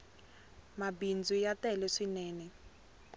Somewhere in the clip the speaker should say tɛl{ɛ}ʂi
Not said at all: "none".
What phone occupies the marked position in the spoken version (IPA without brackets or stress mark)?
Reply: ɛ